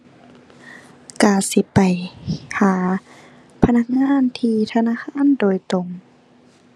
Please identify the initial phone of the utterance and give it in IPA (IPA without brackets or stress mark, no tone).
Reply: k